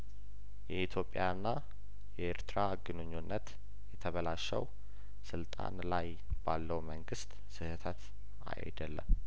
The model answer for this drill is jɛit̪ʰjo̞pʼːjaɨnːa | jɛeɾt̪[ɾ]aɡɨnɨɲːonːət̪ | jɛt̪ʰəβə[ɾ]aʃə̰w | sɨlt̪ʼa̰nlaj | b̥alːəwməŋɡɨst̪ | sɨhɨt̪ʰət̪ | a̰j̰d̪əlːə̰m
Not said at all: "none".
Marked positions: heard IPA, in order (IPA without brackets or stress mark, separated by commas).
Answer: ɾ, l